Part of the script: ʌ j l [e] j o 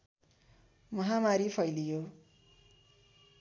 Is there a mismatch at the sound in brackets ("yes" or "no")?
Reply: yes